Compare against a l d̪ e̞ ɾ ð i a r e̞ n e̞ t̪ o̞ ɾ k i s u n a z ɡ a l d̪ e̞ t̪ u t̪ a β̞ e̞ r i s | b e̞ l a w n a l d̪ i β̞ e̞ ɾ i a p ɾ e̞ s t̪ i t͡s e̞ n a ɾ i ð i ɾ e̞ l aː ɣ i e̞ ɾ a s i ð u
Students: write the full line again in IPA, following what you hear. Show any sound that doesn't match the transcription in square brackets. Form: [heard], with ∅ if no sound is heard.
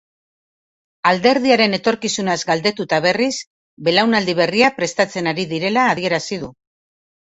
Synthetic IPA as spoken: a l d̪ e̞ ɾ ð i a [ɾ] e̞ n e̞ t̪ o̞ ɾ k i s u n a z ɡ a l d̪ e̞ t̪ u t̪ a β̞ e̞ r i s | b e̞ l a w n a l d̪ i β̞ e̞ [r] i a p ɾ e̞ s t̪ [a] t͡s e̞ n a ɾ i ð i ɾ e̞ l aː [ð] i e̞ ɾ a s i ð u